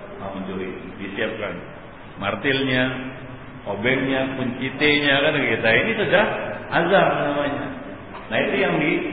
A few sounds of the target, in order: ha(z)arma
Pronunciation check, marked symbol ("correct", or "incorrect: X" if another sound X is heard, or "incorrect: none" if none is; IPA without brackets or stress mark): correct